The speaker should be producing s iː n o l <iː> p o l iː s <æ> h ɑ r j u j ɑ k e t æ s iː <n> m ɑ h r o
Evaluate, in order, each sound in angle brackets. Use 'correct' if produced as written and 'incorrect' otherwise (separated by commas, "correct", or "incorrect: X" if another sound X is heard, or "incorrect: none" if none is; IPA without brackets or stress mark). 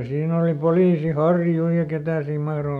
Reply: incorrect: i, incorrect: i, incorrect: m